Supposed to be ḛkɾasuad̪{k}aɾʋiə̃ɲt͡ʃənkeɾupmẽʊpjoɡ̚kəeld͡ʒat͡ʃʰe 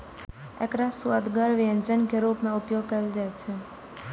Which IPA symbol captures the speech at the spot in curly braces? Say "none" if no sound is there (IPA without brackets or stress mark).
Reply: ɡ